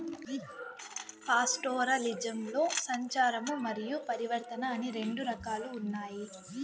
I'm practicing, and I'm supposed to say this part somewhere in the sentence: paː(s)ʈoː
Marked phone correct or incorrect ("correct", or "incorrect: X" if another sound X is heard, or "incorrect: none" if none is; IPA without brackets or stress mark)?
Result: correct